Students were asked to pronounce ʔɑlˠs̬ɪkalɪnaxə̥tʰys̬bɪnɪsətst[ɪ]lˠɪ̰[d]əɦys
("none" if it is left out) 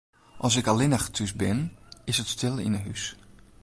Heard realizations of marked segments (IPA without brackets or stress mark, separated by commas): ɪ, n